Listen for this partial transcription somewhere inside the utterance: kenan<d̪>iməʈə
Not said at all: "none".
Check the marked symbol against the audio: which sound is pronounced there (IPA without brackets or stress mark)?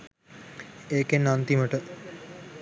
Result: t̪